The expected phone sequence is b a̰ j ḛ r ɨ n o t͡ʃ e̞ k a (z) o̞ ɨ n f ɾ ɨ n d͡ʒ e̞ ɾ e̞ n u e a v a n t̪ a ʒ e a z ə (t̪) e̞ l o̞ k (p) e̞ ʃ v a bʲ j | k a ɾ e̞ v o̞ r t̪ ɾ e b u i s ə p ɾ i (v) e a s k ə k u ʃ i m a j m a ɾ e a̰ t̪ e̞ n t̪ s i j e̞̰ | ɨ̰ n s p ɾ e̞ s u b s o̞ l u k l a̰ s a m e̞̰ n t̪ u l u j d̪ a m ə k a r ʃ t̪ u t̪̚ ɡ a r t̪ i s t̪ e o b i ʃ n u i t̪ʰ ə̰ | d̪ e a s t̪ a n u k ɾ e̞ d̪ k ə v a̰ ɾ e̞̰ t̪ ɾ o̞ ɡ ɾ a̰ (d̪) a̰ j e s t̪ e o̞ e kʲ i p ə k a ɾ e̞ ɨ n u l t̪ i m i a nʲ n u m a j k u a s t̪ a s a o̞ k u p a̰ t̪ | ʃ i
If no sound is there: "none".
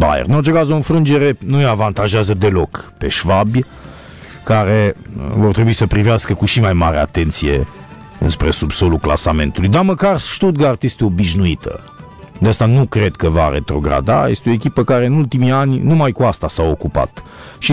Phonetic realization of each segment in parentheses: z, d̪, p, v, d̪

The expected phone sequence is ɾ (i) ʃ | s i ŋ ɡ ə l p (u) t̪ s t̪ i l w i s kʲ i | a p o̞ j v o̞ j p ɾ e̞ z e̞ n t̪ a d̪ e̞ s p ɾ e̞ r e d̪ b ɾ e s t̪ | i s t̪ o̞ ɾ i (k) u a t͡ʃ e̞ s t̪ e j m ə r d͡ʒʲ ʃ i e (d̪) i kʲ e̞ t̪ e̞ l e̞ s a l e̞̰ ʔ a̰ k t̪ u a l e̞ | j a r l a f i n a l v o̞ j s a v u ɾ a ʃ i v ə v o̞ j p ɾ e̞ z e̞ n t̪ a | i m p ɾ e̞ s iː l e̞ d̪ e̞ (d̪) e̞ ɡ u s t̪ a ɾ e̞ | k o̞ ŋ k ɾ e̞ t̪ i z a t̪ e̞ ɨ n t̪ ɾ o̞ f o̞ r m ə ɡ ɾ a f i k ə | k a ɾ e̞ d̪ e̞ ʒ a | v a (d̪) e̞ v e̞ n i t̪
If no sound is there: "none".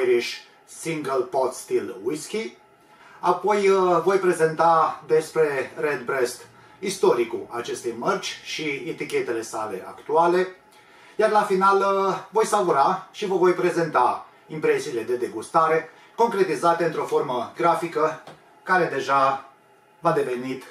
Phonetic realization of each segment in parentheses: i, o, k, t̪, d̪, d̪

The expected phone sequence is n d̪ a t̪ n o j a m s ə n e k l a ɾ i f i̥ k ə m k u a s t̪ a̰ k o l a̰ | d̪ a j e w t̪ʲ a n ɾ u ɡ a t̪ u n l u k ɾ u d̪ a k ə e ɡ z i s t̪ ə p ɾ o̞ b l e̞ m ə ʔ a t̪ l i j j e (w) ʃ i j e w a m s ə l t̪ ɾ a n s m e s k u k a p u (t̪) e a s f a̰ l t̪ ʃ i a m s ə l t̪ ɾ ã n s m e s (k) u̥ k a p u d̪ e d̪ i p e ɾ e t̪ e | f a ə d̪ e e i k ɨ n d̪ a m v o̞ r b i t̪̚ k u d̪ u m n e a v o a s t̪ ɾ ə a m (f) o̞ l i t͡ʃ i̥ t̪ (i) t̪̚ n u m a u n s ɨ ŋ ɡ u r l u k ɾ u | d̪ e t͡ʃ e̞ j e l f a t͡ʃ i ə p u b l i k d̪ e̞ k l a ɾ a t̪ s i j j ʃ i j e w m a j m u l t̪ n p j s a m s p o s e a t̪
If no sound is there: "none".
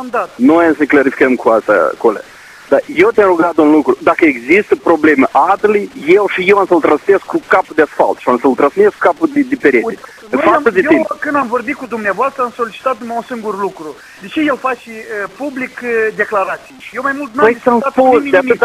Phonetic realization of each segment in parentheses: w, d̪, k, s, a

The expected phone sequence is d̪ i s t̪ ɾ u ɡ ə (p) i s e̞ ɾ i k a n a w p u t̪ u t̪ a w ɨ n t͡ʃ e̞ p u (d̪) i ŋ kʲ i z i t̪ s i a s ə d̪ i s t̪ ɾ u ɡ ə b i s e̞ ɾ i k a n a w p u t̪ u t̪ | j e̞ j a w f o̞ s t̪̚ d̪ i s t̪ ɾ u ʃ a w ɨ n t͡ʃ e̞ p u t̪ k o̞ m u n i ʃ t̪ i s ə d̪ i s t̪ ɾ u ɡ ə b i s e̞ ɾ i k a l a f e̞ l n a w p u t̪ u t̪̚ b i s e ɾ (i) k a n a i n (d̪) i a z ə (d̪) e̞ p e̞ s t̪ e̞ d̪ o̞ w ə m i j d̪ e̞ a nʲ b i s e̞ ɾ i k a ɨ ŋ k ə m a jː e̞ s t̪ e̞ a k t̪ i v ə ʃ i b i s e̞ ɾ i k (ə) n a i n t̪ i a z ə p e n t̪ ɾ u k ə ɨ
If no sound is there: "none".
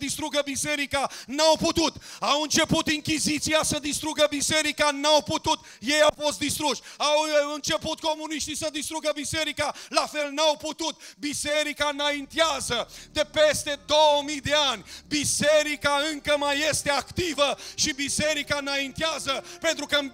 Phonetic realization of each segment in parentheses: b, t̪, i, t̪, d̪, a

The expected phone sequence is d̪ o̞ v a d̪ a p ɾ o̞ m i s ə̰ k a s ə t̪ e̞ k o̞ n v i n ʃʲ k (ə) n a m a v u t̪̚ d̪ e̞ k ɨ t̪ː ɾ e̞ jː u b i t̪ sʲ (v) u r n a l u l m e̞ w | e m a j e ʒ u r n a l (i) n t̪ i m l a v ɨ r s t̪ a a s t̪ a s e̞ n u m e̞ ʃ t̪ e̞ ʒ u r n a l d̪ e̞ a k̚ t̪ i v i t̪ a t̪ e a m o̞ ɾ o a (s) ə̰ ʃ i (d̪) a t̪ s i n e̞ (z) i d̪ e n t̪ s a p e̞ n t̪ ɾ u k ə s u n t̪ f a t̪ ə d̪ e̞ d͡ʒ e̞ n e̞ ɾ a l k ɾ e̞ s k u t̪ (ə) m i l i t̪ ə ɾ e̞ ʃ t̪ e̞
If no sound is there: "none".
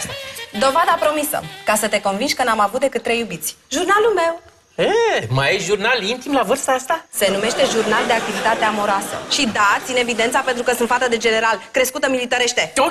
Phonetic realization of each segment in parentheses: ə, ʒ, i, s, d̪, v, ə

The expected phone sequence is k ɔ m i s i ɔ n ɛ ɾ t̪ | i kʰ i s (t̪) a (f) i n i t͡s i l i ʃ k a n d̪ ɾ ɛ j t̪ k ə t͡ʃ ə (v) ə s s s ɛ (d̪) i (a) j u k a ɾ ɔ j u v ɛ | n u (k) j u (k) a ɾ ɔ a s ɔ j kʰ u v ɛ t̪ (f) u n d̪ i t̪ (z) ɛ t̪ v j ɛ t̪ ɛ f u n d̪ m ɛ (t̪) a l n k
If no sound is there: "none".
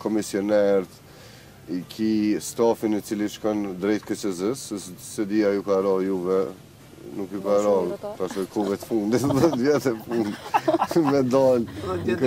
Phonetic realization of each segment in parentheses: t̪, f, z, d̪, a, k, k, f, ð, d̪

